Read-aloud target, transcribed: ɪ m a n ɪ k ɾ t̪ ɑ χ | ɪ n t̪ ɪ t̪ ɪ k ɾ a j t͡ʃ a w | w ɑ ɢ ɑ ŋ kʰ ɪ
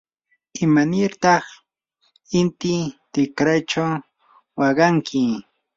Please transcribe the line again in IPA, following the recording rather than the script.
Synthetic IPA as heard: ɪ m a n ɪ ɾ t̪ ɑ χ | ɪ n t̪ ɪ t̪ ɪ k ɾ a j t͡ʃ a w | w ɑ ɢ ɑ ŋ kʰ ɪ